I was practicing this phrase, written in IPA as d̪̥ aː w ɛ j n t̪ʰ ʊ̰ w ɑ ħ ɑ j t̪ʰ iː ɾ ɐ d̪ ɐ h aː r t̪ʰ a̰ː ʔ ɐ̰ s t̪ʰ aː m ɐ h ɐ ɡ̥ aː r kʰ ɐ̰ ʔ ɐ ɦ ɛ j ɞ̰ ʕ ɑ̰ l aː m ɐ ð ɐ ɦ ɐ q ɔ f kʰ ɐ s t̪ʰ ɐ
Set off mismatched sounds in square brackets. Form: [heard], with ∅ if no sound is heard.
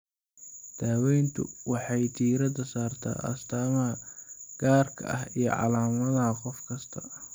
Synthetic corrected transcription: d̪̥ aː w ɛ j n t̪ʰ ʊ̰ w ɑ ħ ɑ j t̪ʰ iː ɾ ɐ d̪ ɐ [s] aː r t̪ʰ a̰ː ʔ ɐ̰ s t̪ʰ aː m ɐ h ɐ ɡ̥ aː r kʰ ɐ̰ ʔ ɐ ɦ [i] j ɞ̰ ʕ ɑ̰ l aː m ɐ ð ɐ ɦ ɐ q ɔ f kʰ ɐ s t̪ʰ ɐ